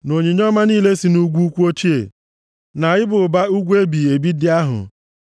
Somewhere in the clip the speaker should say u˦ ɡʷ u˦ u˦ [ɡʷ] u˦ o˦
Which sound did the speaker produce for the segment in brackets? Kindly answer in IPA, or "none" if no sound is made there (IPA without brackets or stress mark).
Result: kʷ